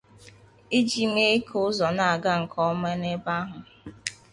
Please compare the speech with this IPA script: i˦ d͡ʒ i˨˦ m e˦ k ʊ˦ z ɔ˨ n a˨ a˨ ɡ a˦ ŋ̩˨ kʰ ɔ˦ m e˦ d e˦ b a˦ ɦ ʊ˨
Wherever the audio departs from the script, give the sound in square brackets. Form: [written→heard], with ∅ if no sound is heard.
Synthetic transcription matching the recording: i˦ d͡ʒ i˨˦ m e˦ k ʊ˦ z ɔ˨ n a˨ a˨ ɡ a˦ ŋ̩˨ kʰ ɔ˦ m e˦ [d→n] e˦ b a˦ ɦ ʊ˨